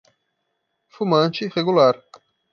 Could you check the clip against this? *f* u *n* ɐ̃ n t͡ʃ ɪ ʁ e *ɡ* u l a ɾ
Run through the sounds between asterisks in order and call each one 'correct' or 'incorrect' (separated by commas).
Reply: correct, incorrect, correct